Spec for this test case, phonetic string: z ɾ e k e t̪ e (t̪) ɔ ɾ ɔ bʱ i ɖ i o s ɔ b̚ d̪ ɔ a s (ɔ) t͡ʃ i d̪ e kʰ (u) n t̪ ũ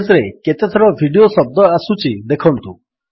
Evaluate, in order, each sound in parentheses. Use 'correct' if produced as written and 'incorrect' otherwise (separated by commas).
incorrect, incorrect, incorrect